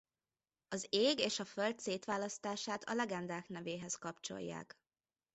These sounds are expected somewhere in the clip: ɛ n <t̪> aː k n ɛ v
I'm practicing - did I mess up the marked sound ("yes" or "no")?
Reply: yes